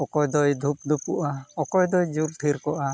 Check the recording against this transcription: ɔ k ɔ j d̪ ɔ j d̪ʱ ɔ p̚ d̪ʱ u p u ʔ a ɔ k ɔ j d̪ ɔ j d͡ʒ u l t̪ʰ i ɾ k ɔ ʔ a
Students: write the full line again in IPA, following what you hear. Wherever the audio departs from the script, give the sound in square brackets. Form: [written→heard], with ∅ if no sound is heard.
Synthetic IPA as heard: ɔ k ɔ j d̪ ɔ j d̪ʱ [ɔ→u] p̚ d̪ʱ u p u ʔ a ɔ k ɔ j d̪ ɔ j d͡ʒ u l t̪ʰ i ɾ k ɔ ʔ a